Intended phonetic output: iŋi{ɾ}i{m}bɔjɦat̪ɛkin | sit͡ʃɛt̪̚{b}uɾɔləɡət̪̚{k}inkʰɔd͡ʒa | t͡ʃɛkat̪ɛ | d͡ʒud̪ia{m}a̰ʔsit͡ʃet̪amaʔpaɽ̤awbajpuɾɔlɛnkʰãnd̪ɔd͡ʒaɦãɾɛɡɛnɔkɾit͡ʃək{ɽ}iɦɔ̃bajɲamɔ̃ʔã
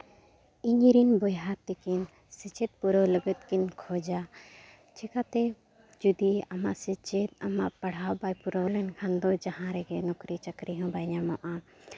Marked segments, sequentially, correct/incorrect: correct, incorrect: n, incorrect: p, correct, correct, incorrect: ɾ

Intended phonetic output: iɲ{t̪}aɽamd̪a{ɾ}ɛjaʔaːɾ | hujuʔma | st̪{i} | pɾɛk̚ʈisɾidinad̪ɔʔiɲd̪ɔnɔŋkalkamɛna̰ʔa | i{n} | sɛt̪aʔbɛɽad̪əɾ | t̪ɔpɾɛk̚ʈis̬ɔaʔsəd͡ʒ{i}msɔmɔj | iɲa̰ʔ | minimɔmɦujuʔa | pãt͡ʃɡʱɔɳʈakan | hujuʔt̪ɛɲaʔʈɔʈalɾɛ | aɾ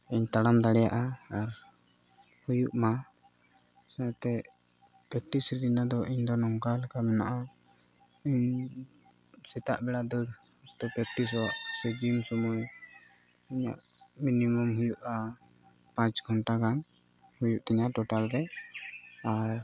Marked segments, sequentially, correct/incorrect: correct, incorrect: ɽ, incorrect: ɛ, incorrect: ɲ, correct

